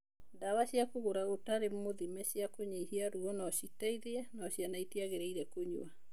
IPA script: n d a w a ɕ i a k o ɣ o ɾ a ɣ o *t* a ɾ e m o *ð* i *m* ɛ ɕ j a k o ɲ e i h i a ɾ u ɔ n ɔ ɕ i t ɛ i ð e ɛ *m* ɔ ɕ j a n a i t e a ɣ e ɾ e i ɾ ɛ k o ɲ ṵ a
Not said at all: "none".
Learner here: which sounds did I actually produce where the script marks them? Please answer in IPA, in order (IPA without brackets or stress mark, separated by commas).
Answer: t, ð, m, n